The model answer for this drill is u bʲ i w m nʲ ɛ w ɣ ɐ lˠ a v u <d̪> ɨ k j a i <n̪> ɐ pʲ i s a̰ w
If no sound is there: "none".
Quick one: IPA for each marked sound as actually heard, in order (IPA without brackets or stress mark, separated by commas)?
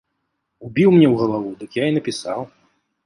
d̪, n̪